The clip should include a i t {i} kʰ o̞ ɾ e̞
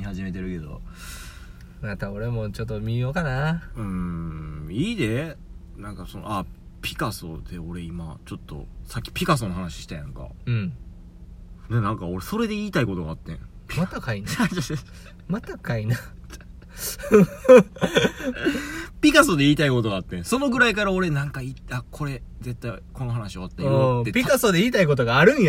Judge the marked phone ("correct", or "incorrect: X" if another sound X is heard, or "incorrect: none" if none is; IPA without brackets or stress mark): incorrect: a